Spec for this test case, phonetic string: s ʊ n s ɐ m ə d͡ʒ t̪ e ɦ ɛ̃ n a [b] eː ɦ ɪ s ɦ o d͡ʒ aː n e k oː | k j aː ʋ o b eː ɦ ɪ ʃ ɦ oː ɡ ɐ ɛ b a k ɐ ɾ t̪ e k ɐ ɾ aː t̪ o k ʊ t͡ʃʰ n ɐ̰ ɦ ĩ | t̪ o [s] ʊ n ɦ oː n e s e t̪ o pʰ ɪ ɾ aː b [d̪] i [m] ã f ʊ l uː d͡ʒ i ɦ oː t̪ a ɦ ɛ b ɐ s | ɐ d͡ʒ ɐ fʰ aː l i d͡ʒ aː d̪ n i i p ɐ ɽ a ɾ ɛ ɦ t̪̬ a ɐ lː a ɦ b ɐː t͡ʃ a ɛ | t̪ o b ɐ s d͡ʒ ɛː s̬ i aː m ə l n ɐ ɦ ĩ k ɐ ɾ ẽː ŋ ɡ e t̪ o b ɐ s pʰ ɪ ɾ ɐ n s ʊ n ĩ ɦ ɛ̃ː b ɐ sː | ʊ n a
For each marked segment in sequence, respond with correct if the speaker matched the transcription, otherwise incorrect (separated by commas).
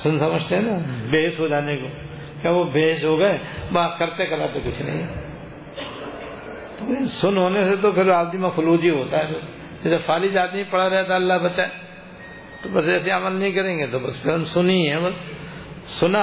correct, correct, correct, correct